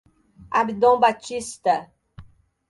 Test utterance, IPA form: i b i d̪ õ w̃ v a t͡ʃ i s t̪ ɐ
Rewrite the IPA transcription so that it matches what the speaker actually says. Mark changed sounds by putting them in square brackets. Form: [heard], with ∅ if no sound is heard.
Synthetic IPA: [a] b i d̪ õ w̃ [b] a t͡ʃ i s t̪ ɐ